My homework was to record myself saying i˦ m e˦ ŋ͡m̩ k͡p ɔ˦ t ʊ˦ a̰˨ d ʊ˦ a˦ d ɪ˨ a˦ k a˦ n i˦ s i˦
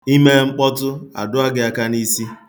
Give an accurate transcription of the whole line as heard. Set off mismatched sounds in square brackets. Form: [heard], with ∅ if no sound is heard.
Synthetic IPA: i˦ m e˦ ŋ͡m̩ k͡p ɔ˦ t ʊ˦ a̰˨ d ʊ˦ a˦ [ɡ] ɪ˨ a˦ k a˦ n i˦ s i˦

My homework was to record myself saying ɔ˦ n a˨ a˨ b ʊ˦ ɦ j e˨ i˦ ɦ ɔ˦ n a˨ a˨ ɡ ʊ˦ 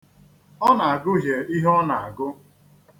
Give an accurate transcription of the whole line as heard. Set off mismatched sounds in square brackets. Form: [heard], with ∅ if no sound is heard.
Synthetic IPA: ɔ˦ n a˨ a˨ [ɡ] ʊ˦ ɦ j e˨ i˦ ɦ ɔ˦ n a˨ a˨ ɡ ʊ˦

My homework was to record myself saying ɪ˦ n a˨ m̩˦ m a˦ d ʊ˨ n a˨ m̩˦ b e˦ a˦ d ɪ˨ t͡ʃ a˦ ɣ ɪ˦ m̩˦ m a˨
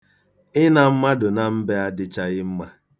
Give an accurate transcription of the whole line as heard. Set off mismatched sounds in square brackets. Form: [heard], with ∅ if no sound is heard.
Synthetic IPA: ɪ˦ n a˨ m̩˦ m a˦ d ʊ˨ n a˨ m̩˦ b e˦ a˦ d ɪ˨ t͡ʃ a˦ ɣ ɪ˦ m̩˦ m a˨

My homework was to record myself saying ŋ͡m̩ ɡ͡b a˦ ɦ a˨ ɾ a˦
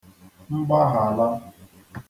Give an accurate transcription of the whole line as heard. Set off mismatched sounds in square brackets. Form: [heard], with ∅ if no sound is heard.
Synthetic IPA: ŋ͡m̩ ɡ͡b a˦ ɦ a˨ [l] a˦

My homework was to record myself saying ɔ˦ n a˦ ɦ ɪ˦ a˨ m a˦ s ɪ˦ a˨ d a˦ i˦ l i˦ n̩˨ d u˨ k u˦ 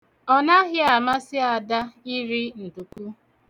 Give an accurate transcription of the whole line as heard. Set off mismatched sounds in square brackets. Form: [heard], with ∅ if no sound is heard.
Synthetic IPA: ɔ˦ n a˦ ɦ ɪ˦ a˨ m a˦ s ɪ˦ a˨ d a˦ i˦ [ɾ] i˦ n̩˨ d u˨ k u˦

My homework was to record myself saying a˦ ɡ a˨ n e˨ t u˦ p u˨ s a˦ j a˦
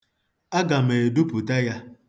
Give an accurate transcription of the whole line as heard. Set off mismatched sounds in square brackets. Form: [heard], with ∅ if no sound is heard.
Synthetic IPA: a˦ ɡ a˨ [m] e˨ [d] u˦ p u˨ [t] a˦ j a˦

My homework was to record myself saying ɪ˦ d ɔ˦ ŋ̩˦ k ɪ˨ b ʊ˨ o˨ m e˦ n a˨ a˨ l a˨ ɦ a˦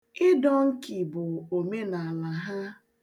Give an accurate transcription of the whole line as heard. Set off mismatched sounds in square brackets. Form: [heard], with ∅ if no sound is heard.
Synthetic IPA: ɪ˦ d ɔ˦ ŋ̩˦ k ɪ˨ b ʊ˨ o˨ m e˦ n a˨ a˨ l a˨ ɦ a˦

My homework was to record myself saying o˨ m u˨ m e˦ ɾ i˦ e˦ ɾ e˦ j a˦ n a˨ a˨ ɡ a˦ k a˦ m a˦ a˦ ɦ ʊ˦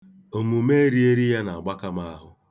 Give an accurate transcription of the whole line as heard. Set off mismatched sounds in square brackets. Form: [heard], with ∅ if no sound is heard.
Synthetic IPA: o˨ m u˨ m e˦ ɾ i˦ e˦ ɾ [i˦] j a˦ n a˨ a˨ [ɡ͡b] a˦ k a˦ m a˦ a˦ ɦ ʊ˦

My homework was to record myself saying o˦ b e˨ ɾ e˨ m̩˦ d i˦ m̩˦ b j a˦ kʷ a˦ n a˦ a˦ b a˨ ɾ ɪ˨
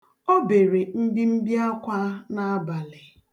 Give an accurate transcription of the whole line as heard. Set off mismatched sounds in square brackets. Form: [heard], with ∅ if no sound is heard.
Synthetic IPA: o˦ b e˨ ɾ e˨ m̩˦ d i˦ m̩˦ b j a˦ kʷ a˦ n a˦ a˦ b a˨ [l] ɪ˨

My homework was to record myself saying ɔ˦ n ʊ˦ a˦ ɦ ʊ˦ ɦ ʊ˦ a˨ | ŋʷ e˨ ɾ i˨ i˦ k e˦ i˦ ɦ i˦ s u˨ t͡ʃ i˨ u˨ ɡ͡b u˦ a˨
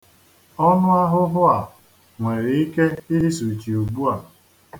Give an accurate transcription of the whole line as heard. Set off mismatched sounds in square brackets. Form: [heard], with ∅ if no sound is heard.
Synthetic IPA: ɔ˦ n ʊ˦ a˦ ɦ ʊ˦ ɦ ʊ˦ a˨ | ŋʷ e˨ ɾ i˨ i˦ k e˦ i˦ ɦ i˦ s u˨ t͡ʃ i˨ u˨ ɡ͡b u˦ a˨

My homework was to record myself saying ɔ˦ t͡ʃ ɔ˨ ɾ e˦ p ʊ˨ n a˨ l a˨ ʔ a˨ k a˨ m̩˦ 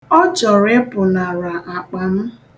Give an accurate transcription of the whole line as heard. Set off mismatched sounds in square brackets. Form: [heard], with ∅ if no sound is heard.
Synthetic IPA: ɔ˦ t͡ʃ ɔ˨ ɾ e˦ p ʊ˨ n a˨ [ɾ] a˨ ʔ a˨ [k͡p] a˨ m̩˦

